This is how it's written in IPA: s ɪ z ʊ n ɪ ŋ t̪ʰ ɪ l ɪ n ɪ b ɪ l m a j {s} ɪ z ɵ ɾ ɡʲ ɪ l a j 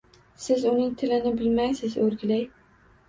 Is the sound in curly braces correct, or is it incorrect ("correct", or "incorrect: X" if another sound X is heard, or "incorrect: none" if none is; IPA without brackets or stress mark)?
correct